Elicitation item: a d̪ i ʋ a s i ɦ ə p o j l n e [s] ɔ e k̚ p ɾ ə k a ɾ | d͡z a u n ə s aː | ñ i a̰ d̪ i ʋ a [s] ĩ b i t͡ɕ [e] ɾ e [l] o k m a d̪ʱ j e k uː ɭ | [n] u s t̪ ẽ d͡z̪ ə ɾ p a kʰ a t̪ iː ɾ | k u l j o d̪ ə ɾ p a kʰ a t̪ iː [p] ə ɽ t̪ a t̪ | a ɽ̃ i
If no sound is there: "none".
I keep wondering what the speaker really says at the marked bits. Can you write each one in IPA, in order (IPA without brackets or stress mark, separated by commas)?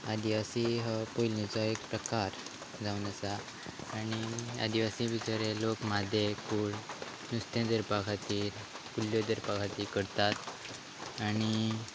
t͡s, s, a, l, n, k